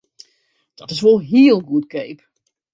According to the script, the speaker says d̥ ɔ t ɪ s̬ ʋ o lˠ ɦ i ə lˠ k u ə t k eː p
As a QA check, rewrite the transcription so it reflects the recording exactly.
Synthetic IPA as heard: d̥ ɔ t ɪ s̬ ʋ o lˠ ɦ i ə lˠ ɡ u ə t k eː p